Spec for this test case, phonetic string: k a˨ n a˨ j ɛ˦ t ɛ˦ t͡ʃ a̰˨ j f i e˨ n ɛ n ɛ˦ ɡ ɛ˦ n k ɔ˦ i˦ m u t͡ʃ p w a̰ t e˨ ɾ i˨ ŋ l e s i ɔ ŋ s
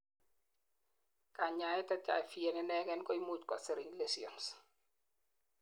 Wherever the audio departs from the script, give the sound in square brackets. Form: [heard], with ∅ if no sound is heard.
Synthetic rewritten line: k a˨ [ɲ] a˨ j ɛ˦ t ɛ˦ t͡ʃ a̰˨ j f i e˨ n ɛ n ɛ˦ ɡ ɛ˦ n k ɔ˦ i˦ m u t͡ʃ [k] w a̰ [s] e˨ ɾ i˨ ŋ l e s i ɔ [n] s